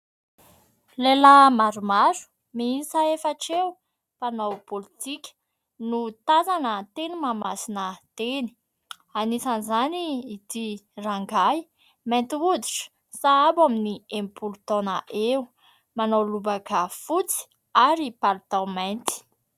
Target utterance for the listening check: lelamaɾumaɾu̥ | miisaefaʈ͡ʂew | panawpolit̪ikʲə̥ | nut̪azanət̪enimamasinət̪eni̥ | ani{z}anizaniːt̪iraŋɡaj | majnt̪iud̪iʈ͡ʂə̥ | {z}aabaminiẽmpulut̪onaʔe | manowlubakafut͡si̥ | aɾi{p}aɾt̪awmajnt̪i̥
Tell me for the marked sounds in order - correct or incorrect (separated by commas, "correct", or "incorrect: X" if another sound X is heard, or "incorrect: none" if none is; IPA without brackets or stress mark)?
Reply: incorrect: s, incorrect: s, correct